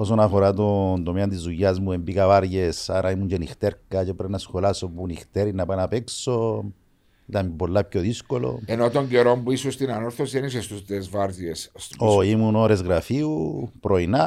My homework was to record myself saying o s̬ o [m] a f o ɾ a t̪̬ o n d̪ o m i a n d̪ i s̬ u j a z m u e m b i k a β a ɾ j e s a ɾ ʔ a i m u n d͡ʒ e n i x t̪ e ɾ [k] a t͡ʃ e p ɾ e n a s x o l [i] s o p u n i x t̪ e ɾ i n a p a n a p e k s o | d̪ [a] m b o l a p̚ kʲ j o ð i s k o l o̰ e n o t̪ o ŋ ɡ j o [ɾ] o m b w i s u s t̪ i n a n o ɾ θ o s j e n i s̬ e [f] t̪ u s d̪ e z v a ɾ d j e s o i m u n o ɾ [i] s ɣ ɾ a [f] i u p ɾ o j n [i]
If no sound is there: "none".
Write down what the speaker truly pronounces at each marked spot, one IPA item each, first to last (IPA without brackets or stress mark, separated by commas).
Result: n, k, a, a, ɾ, s, e, f, a